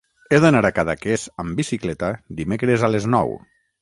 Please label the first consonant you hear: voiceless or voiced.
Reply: voiced